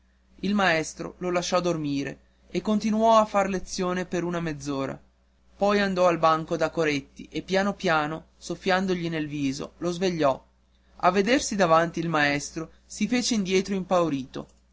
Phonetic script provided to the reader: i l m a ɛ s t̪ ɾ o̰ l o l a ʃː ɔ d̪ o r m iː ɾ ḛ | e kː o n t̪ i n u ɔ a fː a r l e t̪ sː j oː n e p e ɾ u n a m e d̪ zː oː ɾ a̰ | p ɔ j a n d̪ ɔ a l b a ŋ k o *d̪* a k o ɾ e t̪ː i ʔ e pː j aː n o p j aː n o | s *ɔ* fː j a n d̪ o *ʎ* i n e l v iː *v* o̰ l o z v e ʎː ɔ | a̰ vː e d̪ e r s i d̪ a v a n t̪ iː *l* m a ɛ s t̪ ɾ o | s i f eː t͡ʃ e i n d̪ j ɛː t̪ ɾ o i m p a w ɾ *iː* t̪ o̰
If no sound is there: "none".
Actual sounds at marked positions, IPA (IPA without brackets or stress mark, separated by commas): d̪, o, ʎ, z, l, iː